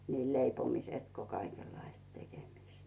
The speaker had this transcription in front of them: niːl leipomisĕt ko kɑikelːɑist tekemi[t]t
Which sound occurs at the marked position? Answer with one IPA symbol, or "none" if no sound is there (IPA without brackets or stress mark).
s